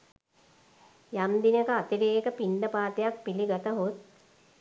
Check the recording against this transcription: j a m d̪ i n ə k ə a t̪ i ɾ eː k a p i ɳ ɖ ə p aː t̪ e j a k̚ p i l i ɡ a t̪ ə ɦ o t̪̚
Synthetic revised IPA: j a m d̪ i n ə k ə a t̪ i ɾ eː k ə p i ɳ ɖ ə p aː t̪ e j a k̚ p i l i ɡ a t̪ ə ɦ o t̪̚